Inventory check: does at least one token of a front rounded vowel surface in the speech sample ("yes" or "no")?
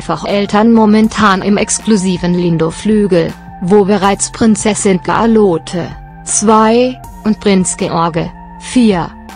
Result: yes